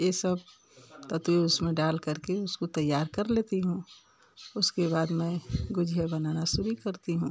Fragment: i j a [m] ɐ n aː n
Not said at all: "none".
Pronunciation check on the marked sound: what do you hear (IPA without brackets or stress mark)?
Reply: b